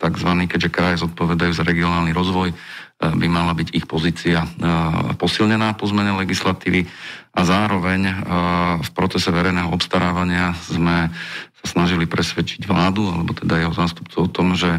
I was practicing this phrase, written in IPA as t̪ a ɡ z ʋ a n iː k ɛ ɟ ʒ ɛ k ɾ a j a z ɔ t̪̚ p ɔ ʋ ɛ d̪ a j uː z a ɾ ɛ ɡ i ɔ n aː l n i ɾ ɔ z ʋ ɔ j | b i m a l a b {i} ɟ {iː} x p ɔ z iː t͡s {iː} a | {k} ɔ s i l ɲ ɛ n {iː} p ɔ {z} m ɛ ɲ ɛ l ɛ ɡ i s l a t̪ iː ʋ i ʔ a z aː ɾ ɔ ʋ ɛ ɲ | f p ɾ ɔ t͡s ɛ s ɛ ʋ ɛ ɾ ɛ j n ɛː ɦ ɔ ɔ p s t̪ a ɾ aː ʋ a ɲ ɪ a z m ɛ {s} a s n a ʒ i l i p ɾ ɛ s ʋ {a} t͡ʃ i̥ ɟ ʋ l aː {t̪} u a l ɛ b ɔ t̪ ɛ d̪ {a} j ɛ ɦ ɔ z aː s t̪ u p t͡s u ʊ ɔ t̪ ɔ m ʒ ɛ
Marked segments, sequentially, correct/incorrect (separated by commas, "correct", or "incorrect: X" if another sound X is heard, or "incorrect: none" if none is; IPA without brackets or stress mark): correct, incorrect: i, incorrect: i, incorrect: p, incorrect: aː, correct, correct, incorrect: ɛ, incorrect: d̪, correct